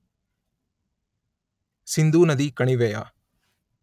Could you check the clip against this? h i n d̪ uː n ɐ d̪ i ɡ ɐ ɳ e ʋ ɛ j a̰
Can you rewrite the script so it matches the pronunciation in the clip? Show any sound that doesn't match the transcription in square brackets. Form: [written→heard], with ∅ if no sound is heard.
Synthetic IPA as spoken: [h→s] i n d̪ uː n ɐ d̪ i [ɡ→k] ɐ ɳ [e→i] ʋ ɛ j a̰